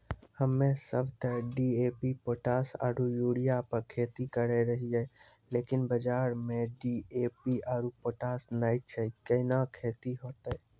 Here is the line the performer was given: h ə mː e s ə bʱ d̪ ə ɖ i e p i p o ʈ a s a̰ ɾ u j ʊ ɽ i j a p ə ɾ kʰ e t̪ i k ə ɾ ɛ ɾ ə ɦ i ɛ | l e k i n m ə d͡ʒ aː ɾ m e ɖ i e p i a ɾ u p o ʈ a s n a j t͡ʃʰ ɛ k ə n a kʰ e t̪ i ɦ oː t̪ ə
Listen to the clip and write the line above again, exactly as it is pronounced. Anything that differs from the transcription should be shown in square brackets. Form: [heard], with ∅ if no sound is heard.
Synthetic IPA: h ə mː e s ə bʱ [t̪] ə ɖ i e p i p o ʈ a s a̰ ɾ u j [u] ɽ i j a p ə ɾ kʰ e t̪ i k ə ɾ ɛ ɾ ə ɦ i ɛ | l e k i n [b] ə d͡ʒ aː ɾ m e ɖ i e p i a ɾ u p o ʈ a s n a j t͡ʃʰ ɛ k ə n a kʰ e t̪ i ɦ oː t̪ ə